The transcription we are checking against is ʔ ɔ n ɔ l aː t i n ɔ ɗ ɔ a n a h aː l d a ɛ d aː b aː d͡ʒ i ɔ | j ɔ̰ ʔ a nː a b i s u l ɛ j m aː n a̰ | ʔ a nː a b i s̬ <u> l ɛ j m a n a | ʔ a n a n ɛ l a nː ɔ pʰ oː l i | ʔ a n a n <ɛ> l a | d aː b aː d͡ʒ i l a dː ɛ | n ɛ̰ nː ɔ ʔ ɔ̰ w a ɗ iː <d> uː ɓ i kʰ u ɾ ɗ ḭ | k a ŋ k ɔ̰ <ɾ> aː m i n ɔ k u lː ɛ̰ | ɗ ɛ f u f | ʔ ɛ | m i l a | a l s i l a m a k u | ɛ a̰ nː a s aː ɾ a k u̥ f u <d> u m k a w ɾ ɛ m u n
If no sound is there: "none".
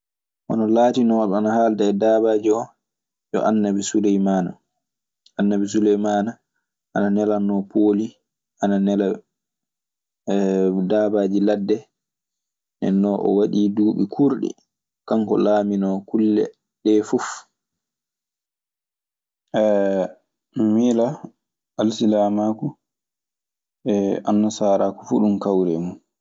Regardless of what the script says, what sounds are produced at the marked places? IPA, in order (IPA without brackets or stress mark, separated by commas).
u, ɛ, d, l, ɗ